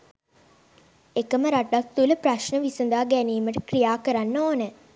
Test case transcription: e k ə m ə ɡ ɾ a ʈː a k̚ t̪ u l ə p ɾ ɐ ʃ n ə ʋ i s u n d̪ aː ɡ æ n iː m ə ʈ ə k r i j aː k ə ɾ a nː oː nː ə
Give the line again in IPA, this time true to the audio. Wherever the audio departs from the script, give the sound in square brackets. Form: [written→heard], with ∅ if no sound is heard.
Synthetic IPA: e k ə m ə [ɡ→∅] ɾ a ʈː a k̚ t̪ u l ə p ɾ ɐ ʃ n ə ʋ i s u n d̪ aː ɡ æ n iː m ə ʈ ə k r i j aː k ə ɾ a nː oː [nː→n] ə